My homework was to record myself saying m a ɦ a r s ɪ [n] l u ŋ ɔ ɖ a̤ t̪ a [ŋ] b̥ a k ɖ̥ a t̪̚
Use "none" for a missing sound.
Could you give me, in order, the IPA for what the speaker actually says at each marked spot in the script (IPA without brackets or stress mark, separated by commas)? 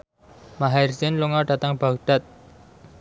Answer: n, ŋ